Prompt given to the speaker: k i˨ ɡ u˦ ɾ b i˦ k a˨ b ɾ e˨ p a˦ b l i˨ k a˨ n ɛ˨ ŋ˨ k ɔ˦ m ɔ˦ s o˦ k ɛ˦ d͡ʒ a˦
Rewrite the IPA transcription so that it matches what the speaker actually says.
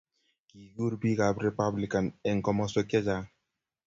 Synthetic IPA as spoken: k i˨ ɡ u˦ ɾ b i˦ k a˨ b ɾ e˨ p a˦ b l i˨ k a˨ n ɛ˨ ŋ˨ k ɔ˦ m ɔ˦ s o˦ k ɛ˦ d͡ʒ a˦

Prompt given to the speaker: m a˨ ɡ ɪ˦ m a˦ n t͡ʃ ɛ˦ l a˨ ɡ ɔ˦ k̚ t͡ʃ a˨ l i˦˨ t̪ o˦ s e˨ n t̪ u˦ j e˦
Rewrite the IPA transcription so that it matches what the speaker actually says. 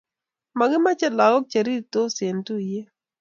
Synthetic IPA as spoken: m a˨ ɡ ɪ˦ m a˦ t͡ʃ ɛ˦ l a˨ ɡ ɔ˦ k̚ t͡ʃ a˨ ɾ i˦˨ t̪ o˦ s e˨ n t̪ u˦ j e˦

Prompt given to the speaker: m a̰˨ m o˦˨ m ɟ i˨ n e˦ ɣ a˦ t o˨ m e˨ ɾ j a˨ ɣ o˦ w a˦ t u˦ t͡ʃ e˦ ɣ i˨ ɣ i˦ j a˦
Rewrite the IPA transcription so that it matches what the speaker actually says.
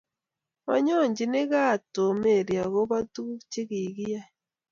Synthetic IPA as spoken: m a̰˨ ɲ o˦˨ ɲ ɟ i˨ n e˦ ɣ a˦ t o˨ m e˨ ɾ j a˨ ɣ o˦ β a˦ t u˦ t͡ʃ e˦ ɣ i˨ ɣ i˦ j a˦

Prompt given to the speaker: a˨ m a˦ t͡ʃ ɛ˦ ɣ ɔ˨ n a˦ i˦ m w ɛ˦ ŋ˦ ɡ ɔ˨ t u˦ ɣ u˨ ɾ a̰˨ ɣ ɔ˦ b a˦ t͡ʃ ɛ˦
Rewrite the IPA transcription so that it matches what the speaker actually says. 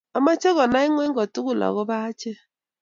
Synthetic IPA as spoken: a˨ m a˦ t͡ʃ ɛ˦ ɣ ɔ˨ n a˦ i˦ ŋ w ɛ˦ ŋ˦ ɡ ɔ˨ t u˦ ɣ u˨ l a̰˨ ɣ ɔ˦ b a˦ t͡ʃ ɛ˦

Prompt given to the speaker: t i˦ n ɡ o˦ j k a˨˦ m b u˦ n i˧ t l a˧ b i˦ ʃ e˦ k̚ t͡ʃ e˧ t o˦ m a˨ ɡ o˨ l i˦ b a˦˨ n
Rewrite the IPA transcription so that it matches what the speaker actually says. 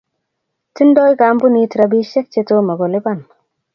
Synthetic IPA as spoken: t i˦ n d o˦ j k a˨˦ m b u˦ n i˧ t ɾ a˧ b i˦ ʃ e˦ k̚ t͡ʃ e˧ t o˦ m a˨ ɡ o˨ l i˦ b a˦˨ n

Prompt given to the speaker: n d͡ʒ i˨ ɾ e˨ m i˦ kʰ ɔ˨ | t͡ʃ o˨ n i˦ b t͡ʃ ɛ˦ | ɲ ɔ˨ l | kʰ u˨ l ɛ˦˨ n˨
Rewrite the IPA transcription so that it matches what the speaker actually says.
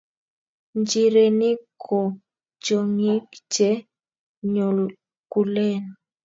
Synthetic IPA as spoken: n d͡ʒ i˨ ɾ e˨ n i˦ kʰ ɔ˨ | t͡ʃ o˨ ŋ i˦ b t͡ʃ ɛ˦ | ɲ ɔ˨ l | k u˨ l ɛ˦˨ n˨

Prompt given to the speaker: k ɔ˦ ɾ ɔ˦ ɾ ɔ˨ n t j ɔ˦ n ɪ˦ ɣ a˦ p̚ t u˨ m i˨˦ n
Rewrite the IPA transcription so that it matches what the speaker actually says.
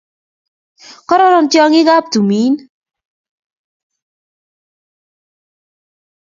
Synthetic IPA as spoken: k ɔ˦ ɾ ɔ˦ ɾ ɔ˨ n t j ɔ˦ ŋ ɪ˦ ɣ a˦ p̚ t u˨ m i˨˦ n

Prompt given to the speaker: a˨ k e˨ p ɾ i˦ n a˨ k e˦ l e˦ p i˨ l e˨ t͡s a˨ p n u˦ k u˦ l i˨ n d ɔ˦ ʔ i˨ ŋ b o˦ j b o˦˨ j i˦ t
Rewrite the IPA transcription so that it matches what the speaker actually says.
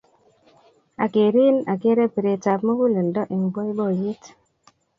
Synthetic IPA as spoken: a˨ k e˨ ɾ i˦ n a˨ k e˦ ɾ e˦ p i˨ ɾ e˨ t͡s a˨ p m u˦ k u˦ l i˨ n d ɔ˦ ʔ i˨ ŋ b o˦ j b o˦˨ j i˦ t

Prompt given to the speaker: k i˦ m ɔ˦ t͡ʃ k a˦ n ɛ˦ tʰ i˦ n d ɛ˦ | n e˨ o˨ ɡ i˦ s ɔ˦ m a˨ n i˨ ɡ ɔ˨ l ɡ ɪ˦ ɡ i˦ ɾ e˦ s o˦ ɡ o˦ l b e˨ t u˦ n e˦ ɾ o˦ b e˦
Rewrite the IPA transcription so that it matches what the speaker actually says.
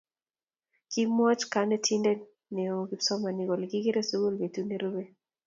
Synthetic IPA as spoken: k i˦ m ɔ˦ t͡ʃ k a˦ n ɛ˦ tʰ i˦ n d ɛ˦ | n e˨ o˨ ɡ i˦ s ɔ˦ m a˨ n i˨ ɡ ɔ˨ l ɡ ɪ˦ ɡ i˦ ɾ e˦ s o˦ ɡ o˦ l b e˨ t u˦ n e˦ ɾ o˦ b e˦

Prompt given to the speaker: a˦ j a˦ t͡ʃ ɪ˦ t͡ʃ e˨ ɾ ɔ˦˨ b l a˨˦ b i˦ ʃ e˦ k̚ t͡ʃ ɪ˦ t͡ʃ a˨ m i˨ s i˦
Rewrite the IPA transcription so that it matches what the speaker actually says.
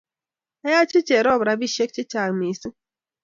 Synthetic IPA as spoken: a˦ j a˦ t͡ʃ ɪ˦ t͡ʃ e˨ ɾ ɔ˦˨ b ɾ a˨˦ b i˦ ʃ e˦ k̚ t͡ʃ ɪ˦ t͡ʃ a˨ m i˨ s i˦

